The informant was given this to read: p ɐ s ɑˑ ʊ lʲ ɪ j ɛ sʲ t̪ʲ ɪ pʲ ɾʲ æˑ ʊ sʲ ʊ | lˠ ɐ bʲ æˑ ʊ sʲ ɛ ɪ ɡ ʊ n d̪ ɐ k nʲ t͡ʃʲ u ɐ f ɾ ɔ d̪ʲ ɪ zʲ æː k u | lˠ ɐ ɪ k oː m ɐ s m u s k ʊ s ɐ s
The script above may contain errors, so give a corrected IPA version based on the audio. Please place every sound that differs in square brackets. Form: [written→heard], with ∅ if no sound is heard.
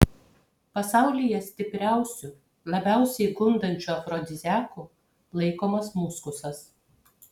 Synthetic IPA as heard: p ɐ s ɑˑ ʊ lʲ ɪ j ɛ sʲ t̪ʲ ɪ pʲ ɾʲ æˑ ʊ sʲ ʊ | lˠ ɐ bʲ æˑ ʊ sʲ ɛ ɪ ɡ ʊ n d̪ ɐ [k→∅] nʲ t͡ʃʲ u ɐ f ɾ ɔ d̪ʲ ɪ zʲ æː k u | lˠ ɐ ɪ k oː m ɐ s m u s k ʊ s ɐ s